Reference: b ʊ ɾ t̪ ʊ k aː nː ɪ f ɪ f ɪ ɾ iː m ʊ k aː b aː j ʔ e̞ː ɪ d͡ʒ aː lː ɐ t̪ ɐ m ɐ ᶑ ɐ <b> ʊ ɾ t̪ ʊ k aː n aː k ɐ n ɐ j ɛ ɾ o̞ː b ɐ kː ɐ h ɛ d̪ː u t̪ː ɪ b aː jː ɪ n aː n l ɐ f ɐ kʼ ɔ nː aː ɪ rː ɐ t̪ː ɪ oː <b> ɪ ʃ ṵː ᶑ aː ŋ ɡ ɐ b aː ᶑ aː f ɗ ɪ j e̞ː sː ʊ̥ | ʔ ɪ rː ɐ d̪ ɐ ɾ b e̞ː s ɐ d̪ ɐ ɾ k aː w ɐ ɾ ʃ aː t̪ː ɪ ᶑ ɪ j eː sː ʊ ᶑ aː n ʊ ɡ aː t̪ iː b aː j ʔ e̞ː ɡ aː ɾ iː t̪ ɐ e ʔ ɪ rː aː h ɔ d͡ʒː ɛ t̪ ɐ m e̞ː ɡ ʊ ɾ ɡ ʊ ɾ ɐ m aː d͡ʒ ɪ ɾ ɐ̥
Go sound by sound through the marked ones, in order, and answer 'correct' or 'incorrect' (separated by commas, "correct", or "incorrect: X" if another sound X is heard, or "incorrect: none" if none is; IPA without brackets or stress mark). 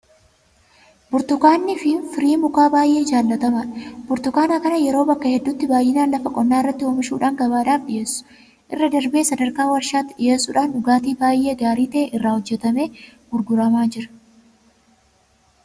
correct, incorrect: m